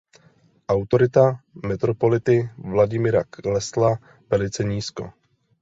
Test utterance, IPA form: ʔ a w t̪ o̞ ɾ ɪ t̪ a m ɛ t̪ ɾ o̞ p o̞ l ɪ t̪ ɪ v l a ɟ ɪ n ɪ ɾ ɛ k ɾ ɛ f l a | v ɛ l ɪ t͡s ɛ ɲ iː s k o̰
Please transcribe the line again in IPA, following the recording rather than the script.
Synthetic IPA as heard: ʔ a w t̪ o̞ ɾ ɪ t̪ a m ɛ t̪ ɾ o̞ p o̞ l ɪ t̪ ɪ v l a ɟ ɪ m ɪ ɾ a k l ɛ s l a | v ɛ l ɪ t͡s ɛ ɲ iː s k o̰